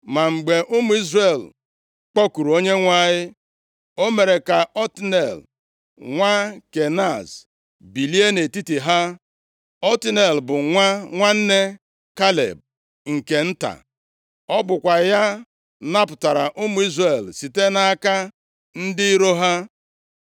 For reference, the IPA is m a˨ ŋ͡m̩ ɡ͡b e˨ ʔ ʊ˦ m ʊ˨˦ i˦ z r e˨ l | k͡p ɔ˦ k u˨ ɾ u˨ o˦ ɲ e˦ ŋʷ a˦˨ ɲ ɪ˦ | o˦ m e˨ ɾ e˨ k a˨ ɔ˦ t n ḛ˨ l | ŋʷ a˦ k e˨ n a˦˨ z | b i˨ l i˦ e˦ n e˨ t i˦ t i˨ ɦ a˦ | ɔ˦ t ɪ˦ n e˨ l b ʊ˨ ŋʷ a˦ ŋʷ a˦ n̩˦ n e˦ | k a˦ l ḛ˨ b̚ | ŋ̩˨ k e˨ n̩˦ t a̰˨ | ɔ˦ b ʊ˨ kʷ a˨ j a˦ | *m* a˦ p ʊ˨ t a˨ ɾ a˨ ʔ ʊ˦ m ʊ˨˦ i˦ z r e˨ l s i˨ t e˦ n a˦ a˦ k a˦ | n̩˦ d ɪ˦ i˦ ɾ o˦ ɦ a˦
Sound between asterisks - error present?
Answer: yes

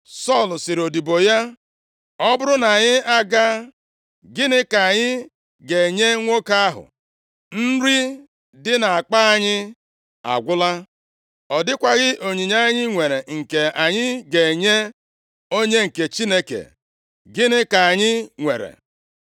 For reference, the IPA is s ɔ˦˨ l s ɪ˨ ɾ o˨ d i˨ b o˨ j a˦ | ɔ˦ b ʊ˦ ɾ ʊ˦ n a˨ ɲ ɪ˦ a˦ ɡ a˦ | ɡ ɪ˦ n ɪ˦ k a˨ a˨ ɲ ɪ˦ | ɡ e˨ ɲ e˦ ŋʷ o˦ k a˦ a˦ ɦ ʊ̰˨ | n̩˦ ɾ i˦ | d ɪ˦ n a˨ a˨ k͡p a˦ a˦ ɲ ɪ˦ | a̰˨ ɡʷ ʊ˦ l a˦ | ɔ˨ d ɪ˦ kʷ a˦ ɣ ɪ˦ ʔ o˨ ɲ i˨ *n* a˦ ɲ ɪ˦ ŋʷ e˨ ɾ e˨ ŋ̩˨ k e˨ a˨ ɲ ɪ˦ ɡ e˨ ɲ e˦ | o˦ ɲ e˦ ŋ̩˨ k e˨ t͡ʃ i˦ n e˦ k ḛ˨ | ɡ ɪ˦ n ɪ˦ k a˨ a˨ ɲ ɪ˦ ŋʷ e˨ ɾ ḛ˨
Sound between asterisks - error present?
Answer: yes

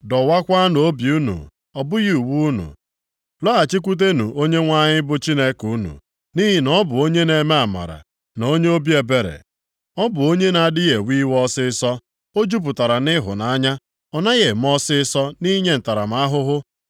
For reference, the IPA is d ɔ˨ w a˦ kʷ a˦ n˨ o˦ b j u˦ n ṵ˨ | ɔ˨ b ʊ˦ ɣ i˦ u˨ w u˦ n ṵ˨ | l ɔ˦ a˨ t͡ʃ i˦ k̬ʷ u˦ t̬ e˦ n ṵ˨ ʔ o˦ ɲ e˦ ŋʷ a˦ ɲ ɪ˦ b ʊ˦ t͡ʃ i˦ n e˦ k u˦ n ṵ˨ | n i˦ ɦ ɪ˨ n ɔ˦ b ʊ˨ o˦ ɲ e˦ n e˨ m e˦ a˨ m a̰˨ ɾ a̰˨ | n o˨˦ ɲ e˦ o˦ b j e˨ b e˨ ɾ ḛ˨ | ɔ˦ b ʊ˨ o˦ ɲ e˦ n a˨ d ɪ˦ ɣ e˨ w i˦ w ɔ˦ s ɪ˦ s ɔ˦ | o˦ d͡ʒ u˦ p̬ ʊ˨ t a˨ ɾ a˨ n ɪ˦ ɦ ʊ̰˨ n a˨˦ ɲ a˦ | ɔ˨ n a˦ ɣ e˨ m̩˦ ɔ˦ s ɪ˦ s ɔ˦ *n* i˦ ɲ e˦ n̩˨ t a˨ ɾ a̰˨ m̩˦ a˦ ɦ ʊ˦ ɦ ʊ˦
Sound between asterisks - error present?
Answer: no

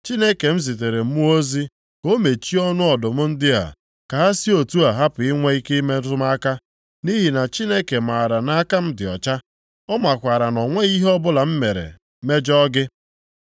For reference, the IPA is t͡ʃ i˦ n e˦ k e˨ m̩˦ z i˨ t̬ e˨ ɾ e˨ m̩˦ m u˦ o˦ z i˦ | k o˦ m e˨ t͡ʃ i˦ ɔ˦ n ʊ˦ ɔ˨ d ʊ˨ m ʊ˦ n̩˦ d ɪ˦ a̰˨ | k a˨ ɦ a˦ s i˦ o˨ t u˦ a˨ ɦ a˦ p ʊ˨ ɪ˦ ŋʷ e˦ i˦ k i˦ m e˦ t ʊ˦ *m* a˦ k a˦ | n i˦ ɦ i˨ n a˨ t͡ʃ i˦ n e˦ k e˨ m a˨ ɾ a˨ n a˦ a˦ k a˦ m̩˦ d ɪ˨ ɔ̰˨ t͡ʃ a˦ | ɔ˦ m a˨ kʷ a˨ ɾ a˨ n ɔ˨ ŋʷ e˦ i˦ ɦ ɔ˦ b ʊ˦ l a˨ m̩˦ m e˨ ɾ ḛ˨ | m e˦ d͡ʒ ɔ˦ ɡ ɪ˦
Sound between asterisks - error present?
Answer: no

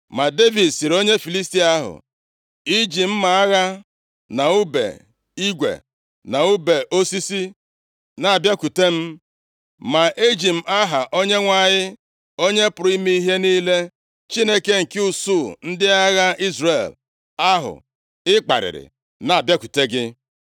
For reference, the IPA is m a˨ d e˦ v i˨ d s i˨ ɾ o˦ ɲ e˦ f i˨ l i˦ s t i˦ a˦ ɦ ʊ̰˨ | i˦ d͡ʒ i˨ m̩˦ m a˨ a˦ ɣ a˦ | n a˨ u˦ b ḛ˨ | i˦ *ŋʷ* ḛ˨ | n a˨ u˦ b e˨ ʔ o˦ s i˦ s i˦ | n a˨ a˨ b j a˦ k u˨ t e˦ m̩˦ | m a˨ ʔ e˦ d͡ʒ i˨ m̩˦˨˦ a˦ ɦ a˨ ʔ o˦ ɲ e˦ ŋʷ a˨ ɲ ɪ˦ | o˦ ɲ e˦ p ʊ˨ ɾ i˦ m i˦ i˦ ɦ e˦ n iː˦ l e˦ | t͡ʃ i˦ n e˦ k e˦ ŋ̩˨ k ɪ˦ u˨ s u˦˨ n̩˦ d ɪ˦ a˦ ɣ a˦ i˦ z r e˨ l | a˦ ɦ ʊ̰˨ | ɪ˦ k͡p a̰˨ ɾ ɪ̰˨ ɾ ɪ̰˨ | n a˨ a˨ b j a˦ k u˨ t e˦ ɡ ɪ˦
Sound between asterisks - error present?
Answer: yes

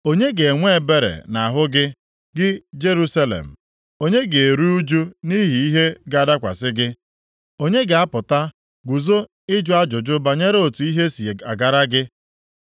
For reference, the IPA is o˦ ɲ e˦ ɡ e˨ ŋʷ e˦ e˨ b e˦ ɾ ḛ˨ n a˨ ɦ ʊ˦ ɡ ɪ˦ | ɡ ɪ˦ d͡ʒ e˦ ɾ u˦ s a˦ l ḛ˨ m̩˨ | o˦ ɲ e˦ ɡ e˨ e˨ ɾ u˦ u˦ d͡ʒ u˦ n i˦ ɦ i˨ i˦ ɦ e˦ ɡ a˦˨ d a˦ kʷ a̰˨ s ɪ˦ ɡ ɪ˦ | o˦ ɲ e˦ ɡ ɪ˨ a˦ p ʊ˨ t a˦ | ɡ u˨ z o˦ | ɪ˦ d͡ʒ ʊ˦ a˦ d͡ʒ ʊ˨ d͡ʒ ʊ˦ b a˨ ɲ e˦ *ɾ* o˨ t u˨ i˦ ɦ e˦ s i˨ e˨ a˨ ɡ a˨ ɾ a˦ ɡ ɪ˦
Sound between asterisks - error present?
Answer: no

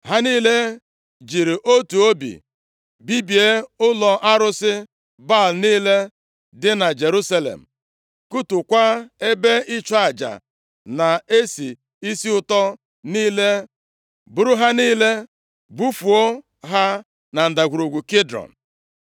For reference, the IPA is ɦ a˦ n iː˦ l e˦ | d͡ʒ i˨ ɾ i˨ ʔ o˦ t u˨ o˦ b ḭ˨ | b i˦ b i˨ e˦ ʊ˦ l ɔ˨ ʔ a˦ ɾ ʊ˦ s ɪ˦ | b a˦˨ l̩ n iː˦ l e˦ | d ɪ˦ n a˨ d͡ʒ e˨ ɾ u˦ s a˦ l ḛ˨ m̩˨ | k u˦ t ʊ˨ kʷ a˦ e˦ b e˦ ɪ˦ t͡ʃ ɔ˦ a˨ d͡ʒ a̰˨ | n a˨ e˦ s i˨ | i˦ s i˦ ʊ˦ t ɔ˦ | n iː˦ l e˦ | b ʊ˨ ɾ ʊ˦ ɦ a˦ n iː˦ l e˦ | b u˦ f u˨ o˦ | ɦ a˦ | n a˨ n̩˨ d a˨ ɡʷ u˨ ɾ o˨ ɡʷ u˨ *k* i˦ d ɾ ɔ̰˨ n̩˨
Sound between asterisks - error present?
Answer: no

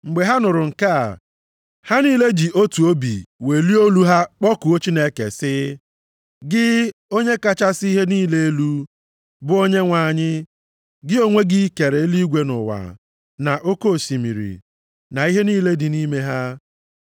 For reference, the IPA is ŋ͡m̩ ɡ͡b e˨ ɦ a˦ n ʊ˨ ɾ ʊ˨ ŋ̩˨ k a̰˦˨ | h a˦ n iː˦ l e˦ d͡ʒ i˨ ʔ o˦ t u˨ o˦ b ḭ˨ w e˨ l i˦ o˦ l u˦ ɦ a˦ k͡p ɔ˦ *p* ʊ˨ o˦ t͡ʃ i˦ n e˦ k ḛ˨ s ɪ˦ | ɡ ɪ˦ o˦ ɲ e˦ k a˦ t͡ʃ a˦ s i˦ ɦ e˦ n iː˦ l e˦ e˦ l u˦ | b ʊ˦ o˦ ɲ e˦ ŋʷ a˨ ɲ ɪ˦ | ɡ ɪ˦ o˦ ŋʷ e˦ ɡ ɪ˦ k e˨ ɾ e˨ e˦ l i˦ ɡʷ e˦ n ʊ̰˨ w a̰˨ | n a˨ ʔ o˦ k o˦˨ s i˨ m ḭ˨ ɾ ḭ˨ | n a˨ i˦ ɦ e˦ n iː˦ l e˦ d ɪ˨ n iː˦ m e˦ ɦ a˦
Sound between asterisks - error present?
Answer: yes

